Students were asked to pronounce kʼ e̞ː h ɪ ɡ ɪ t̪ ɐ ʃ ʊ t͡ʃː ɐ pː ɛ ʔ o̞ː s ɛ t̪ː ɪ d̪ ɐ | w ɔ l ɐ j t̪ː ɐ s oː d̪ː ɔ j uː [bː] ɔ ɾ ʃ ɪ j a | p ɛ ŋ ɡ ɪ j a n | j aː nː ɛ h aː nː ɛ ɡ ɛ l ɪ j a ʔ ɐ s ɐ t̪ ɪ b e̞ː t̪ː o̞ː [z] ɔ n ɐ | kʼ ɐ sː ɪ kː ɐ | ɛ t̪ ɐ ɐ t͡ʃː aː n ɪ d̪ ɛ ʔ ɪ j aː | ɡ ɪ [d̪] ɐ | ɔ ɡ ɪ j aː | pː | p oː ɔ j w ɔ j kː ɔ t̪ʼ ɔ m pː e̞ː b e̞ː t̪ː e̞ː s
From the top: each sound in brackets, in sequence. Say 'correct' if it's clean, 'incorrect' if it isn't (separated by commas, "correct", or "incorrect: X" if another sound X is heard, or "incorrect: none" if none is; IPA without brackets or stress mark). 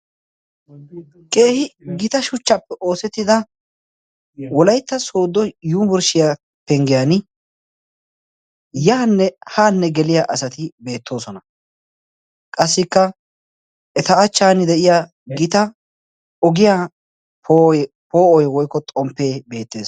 incorrect: b, incorrect: s, incorrect: t̪